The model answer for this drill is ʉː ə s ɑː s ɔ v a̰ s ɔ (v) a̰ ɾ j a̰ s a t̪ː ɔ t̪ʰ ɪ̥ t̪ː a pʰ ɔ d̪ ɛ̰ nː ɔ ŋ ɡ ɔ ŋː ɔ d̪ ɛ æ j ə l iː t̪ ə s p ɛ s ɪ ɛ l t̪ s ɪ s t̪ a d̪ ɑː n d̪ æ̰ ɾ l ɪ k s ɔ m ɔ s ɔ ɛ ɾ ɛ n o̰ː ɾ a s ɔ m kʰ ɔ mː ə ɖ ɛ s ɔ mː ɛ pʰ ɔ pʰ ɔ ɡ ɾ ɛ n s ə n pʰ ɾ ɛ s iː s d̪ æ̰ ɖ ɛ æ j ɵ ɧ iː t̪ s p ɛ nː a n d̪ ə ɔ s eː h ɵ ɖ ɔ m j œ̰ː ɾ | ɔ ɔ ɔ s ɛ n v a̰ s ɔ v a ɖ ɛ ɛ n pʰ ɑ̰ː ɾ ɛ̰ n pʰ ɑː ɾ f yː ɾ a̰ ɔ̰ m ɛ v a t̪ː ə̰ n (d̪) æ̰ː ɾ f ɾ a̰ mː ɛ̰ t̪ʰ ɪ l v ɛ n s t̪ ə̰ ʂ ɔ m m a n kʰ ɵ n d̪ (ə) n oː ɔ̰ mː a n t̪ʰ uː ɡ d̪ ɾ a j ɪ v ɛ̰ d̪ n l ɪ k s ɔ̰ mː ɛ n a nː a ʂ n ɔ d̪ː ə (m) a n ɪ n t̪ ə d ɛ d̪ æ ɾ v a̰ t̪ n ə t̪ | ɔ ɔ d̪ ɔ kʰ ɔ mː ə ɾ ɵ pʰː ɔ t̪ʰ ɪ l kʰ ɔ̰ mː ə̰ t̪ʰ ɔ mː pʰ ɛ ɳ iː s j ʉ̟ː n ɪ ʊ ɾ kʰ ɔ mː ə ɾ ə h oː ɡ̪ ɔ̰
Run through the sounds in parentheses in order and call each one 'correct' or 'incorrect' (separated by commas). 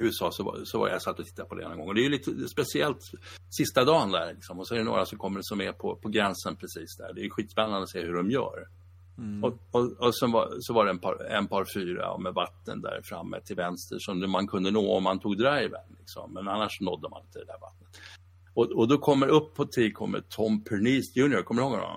correct, correct, correct, correct